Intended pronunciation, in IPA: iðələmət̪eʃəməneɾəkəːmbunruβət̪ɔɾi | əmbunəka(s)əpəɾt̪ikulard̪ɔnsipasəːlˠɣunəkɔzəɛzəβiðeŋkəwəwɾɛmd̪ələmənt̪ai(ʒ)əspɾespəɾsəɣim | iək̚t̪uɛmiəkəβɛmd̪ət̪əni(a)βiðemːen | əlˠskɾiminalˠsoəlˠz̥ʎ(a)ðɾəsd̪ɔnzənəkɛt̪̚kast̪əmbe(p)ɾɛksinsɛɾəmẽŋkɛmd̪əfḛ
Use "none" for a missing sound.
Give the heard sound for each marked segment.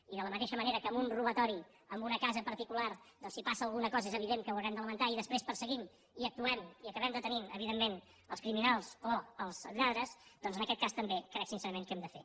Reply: z, ð, ə, a, k

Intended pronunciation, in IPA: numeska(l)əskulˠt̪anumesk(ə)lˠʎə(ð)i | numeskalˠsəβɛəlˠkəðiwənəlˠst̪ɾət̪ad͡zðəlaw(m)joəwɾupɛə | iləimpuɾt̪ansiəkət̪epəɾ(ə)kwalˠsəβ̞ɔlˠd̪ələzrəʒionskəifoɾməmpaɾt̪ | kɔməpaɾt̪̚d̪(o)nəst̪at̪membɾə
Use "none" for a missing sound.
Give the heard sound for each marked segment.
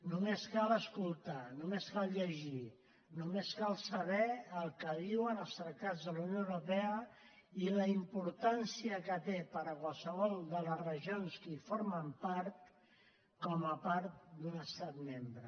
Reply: l, a, ʒ, n, ə, u

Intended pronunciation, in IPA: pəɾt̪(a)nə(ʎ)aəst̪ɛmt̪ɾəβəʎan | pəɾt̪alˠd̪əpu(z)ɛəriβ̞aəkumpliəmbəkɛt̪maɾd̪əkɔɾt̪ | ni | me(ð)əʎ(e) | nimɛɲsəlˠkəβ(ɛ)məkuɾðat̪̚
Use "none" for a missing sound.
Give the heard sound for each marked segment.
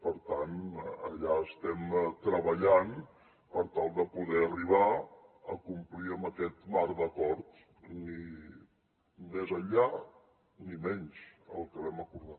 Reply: a, ʎ, ð, z, a, ɛ

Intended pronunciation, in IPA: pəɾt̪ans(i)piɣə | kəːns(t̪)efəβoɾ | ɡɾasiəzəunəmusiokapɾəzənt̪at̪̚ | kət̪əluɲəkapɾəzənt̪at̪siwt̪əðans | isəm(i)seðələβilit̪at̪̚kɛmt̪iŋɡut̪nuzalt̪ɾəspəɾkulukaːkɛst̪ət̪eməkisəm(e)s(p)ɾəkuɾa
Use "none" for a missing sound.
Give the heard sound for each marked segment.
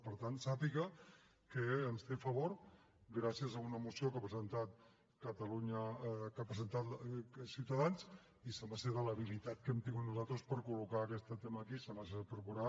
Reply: a, t̪, a, a, p

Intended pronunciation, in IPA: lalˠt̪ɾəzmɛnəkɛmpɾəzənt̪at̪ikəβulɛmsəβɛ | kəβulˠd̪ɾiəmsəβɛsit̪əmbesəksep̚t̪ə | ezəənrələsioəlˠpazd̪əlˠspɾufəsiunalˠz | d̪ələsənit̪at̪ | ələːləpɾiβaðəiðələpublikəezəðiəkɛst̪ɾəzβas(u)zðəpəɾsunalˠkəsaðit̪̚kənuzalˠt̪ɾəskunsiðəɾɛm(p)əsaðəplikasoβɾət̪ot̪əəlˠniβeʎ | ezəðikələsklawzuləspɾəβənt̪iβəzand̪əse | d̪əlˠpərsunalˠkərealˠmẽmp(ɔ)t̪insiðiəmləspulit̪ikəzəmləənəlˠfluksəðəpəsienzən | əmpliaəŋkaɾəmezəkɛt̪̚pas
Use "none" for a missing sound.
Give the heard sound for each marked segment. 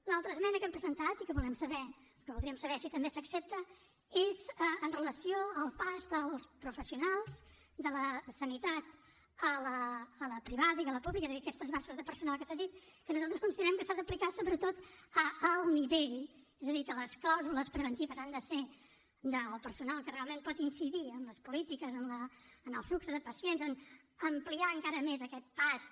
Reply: u, k, ɔ

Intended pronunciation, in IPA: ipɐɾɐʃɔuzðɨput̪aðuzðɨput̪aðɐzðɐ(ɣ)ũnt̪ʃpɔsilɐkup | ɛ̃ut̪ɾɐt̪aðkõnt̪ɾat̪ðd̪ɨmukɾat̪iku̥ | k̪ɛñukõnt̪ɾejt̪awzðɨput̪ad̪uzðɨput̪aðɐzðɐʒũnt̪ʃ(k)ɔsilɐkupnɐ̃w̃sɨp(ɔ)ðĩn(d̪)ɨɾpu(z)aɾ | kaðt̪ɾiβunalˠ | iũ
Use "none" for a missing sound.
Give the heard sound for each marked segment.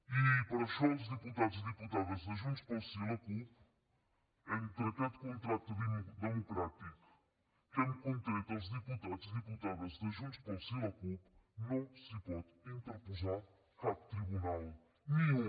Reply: ʒ, p, ɔ, t̪, z

